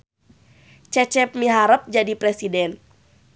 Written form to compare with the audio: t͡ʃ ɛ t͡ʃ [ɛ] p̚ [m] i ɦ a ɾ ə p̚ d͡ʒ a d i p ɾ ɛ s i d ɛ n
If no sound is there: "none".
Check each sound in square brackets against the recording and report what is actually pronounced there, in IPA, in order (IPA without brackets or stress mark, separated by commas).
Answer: ɛ, m